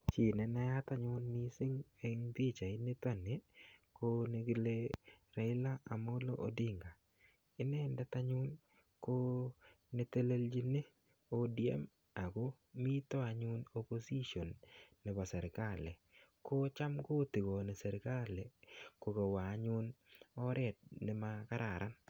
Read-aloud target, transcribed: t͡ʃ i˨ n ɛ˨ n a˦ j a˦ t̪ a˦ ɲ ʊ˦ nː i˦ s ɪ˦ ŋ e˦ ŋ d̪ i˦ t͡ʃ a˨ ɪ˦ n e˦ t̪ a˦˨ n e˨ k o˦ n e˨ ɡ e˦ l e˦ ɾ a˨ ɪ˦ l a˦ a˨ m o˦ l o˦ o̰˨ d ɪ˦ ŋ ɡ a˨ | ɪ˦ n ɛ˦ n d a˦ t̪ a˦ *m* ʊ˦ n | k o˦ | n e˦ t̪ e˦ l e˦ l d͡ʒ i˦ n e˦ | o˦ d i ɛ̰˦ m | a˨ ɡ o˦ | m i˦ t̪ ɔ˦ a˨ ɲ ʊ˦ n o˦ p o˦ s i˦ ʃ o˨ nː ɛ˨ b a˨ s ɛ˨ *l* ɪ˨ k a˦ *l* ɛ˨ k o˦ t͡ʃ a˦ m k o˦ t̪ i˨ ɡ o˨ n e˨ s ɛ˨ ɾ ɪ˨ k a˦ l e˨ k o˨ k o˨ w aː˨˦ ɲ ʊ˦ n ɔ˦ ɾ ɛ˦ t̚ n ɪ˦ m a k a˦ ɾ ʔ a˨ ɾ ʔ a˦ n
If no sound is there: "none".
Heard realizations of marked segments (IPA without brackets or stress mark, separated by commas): ɲ, ɾ, l